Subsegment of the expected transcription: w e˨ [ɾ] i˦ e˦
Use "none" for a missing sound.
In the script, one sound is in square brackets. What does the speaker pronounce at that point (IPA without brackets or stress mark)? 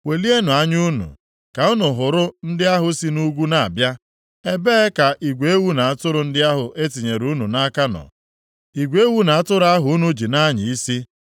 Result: l